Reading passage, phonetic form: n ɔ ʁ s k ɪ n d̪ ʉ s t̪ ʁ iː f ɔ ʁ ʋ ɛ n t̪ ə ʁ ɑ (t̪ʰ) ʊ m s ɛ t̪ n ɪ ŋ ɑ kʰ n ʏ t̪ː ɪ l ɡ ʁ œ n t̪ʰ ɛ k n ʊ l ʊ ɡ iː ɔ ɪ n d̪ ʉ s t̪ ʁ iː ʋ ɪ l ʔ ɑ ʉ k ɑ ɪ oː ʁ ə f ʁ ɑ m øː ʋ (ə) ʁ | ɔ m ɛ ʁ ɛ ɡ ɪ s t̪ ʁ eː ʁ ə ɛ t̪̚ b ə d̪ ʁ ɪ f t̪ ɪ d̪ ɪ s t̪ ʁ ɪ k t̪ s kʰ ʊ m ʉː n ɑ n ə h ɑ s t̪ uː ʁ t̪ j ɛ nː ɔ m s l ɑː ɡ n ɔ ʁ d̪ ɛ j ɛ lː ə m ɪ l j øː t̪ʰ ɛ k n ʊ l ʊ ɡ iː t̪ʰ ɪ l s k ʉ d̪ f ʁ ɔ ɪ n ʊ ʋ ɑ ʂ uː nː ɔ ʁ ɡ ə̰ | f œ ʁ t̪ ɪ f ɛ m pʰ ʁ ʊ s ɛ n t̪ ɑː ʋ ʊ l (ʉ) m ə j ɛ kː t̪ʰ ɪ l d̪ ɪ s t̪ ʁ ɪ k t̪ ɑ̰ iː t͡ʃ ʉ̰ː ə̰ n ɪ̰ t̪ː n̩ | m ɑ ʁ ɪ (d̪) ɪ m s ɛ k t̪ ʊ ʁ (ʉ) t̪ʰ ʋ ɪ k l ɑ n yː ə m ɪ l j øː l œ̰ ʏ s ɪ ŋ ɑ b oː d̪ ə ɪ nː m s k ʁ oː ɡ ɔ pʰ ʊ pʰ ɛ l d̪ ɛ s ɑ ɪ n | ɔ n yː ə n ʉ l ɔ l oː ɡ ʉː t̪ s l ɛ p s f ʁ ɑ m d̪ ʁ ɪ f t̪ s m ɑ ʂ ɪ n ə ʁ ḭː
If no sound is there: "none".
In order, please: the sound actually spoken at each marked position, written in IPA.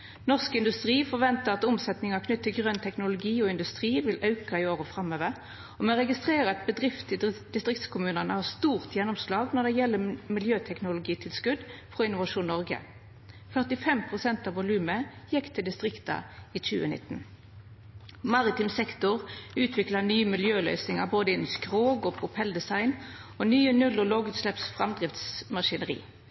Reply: t̪, ə, ʉː, t̪, ʉː

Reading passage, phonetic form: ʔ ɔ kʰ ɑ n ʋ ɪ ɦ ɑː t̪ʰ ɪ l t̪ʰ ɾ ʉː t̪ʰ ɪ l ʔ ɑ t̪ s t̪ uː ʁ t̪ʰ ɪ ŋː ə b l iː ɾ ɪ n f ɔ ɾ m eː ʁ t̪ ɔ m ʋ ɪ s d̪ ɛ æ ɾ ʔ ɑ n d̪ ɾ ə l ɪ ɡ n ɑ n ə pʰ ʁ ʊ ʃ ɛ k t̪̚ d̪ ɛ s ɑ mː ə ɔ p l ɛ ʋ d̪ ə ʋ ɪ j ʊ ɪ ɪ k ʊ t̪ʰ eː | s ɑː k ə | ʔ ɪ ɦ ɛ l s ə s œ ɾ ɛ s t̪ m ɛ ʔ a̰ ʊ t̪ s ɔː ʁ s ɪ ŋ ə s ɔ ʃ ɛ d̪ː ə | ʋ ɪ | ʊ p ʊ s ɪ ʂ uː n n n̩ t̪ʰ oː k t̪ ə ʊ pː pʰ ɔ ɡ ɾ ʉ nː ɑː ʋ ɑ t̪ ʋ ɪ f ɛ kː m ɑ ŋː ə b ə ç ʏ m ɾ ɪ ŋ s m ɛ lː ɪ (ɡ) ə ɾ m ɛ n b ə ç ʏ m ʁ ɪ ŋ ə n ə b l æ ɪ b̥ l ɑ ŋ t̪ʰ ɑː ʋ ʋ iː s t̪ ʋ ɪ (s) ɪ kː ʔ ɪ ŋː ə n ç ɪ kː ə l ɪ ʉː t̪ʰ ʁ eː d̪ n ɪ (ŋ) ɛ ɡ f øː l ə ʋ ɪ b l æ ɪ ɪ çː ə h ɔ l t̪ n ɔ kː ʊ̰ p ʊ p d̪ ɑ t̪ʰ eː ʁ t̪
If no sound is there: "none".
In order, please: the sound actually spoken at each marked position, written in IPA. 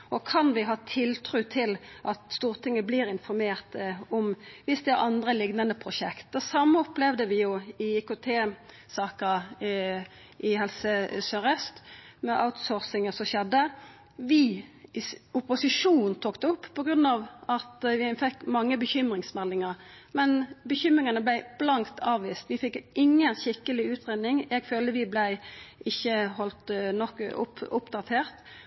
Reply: ŋ, f, ŋ

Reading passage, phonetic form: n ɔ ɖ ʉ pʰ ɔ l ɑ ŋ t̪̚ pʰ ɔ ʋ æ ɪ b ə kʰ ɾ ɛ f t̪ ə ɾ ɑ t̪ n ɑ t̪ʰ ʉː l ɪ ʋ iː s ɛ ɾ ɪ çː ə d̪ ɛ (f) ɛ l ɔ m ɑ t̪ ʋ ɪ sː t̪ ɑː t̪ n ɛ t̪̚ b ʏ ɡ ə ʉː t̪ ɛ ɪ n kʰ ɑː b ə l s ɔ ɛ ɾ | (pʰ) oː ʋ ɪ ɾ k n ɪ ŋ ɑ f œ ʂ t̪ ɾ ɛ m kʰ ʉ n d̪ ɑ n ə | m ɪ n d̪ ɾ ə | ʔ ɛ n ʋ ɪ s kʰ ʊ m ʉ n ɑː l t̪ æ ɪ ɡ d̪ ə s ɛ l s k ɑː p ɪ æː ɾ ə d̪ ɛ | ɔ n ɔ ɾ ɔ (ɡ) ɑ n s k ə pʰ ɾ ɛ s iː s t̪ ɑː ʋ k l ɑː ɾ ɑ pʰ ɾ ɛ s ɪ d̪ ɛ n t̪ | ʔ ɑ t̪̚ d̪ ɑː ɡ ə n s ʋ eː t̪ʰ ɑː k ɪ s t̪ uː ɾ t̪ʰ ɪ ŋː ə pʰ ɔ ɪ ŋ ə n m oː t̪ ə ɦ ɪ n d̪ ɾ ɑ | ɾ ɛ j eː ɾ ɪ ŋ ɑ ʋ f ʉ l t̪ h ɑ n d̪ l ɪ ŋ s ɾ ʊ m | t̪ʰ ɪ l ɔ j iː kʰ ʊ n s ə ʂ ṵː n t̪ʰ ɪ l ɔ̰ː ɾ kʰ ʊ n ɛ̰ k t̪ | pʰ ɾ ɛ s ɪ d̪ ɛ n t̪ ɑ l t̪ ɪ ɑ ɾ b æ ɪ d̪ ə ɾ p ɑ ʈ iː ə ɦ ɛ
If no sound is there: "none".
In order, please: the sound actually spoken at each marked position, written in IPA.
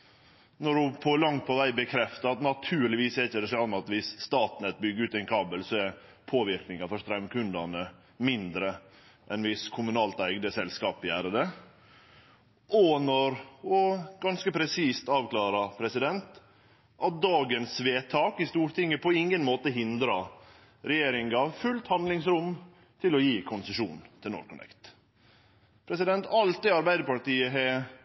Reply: s, pʰ, ɡ

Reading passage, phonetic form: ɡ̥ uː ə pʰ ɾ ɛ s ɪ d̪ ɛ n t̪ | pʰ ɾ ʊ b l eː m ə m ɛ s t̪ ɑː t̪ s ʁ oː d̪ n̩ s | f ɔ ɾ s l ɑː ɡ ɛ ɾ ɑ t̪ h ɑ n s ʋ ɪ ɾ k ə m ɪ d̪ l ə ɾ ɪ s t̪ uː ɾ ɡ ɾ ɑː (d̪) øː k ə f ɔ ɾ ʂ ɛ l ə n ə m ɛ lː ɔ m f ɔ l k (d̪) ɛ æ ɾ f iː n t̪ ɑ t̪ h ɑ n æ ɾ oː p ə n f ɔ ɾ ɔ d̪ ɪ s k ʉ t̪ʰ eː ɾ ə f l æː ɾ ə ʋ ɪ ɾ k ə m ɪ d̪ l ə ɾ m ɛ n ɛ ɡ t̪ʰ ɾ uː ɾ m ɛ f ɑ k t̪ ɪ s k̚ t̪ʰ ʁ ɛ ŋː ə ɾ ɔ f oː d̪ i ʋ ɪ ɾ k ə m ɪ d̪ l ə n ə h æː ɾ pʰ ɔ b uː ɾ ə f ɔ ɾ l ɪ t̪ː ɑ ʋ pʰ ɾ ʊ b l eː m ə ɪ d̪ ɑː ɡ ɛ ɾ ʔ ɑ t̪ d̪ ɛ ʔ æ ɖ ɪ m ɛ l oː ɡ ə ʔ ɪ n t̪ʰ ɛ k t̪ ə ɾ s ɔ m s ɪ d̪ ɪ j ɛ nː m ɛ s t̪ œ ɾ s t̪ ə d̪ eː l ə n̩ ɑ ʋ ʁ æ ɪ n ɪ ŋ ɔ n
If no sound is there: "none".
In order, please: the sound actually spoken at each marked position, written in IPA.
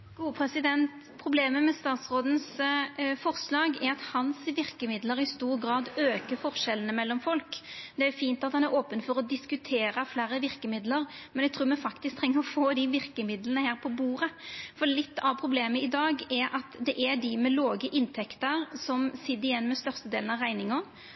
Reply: d̪, d̪

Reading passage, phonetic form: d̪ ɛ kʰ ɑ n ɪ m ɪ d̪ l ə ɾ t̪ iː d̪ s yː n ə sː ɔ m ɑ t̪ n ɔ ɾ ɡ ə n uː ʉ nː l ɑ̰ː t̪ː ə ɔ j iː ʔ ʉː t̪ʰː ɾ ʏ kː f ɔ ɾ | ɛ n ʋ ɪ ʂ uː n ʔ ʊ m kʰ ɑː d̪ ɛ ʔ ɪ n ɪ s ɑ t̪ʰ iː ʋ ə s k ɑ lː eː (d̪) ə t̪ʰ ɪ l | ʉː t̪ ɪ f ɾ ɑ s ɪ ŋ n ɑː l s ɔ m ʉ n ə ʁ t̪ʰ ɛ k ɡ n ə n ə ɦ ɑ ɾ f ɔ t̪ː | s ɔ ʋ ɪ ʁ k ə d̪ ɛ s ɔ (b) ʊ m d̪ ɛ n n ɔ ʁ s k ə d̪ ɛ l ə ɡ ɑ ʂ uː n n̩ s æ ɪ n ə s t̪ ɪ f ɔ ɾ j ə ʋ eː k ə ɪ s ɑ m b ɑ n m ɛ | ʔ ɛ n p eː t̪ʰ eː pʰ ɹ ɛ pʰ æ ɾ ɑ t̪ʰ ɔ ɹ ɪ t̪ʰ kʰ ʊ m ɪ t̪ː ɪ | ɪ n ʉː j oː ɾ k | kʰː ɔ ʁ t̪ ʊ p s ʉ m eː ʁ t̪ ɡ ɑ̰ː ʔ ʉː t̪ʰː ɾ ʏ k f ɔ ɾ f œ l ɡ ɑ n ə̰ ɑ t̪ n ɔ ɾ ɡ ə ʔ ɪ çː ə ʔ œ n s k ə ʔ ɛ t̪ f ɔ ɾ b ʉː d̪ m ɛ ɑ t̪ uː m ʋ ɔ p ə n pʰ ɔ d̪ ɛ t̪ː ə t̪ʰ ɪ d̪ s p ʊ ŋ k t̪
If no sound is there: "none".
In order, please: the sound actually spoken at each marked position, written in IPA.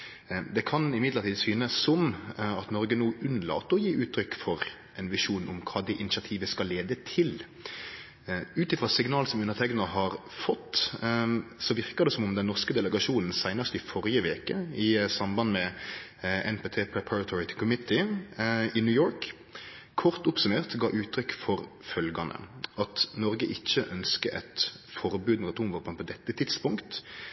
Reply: d̪, m

